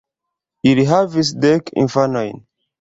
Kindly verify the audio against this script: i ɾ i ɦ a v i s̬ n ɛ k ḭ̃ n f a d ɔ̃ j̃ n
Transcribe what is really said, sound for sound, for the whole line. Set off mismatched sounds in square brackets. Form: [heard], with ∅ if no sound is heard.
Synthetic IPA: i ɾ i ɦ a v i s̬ [d] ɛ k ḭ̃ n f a [n] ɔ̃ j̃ n